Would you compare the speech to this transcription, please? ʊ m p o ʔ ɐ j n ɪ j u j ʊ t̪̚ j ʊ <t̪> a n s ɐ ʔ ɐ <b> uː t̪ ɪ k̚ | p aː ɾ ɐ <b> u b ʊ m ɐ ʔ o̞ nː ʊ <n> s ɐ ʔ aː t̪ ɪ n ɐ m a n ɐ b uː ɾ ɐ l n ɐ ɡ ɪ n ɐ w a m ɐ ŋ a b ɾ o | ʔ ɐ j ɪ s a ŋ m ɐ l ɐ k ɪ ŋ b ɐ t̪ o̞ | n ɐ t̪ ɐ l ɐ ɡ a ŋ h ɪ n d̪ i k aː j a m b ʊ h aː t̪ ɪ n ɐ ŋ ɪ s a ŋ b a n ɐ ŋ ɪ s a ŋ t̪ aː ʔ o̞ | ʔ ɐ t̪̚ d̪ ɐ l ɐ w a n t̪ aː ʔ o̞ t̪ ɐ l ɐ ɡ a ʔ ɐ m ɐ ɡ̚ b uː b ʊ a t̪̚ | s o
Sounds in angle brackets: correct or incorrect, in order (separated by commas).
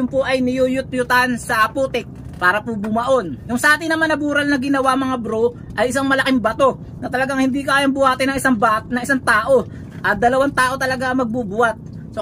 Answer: correct, incorrect, incorrect, incorrect